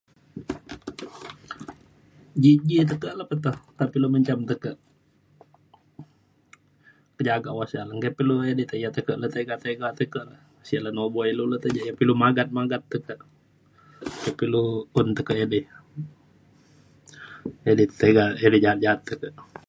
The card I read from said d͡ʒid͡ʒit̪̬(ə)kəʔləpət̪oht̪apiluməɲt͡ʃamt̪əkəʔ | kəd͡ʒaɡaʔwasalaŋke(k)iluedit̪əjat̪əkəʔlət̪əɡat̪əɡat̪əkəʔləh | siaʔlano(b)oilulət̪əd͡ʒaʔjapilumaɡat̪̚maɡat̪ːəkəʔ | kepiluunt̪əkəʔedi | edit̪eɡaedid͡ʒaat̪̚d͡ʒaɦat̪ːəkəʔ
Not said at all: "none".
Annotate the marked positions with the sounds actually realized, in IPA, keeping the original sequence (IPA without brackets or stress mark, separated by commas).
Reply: ə, p, b